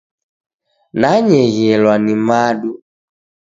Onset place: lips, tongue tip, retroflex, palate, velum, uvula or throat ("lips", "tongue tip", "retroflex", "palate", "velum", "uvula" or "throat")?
tongue tip